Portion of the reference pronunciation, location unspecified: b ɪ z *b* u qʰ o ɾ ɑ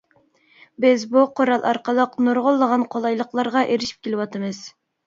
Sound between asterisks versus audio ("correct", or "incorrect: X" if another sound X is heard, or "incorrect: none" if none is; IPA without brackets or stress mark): correct